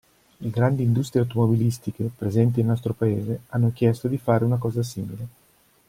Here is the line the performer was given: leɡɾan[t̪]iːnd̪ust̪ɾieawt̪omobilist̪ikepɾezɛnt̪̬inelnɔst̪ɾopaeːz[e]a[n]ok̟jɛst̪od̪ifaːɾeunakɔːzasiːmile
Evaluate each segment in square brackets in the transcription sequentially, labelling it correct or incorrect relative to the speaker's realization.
incorrect: d̪, correct, incorrect: nː

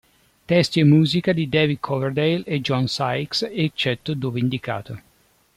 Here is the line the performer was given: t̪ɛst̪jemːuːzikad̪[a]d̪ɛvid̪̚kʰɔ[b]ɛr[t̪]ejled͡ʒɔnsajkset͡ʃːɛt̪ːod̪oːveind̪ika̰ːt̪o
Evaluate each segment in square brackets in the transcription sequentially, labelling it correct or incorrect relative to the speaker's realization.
incorrect: i, incorrect: v, incorrect: d̪

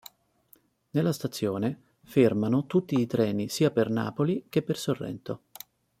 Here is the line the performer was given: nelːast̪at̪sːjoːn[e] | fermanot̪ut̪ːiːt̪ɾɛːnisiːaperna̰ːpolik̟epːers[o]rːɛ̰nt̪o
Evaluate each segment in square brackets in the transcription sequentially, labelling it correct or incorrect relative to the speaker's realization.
correct, correct

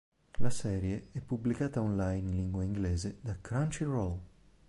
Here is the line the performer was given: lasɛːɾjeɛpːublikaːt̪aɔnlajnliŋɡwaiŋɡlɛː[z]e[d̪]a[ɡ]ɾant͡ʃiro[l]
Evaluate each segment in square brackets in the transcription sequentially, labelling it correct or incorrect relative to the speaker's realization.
correct, correct, incorrect: k, correct

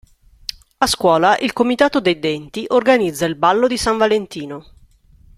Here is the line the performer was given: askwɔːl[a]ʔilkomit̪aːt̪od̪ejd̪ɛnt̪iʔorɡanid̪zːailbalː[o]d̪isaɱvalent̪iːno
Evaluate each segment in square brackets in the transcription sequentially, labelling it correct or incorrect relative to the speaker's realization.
correct, correct

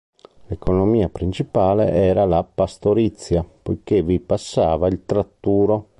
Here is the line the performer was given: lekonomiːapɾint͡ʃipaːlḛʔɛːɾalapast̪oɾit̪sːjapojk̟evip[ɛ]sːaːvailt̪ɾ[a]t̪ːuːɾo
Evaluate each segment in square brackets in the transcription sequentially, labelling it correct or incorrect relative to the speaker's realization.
incorrect: a, correct

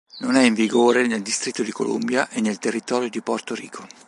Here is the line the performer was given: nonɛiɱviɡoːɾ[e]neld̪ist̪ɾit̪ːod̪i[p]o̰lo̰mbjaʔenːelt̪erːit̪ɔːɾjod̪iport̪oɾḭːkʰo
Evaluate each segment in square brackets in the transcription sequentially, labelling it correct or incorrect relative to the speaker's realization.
correct, incorrect: k

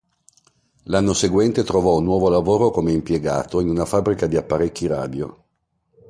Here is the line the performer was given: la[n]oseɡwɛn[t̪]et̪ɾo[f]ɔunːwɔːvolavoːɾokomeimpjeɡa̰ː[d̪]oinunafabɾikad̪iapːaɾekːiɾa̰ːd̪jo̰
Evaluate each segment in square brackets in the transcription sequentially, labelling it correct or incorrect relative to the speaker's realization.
incorrect: nː, correct, incorrect: v, incorrect: t̪

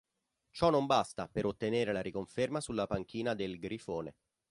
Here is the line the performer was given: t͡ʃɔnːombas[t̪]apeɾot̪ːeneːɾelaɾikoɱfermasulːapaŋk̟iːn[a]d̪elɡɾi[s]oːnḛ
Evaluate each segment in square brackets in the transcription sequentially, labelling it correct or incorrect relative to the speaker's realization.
correct, correct, incorrect: f

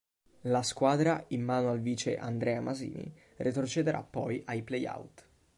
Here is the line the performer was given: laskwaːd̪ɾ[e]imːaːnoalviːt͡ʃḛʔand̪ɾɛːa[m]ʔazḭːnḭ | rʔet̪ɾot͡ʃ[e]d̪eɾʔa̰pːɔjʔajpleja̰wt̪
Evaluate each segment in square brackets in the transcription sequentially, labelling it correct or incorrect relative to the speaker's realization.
incorrect: a, correct, correct

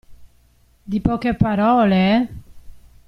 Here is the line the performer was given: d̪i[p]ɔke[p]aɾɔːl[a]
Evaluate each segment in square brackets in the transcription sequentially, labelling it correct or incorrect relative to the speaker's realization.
correct, correct, incorrect: e

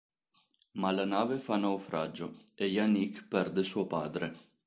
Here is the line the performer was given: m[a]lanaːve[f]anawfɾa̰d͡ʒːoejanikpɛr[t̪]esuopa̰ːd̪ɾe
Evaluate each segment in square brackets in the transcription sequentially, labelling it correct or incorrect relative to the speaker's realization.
correct, correct, incorrect: d̪

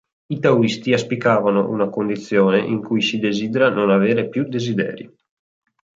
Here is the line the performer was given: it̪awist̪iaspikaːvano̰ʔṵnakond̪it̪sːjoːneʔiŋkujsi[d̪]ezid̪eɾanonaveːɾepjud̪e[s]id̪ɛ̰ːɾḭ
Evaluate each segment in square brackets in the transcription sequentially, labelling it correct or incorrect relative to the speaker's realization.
correct, incorrect: z

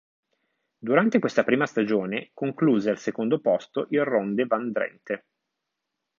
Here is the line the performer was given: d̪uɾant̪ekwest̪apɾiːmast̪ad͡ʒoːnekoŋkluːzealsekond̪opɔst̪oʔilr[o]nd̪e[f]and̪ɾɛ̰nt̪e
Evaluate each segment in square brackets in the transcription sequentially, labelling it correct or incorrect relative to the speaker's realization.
correct, incorrect: v

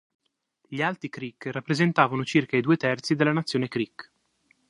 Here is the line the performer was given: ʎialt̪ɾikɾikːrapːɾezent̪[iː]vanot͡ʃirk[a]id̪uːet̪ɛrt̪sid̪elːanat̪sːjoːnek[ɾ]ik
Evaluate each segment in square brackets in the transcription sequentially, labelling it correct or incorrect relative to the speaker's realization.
incorrect: aː, correct, correct

